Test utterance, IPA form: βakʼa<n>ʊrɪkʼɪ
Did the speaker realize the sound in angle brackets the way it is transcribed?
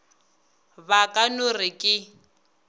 yes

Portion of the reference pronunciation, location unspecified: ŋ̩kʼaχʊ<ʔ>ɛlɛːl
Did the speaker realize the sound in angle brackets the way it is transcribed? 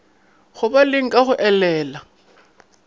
yes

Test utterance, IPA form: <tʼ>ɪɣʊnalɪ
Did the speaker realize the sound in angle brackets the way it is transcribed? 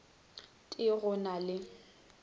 yes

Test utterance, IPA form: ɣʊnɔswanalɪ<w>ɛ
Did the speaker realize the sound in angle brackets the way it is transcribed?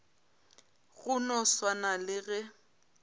no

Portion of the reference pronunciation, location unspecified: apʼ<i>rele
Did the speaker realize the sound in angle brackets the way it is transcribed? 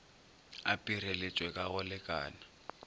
yes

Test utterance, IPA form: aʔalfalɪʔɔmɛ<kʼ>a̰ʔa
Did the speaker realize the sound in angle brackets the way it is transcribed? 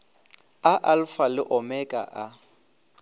yes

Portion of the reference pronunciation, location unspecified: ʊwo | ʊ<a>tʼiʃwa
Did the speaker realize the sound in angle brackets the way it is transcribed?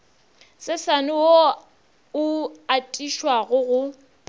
yes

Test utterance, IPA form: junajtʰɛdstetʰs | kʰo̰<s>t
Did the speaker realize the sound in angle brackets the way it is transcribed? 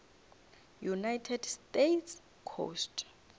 yes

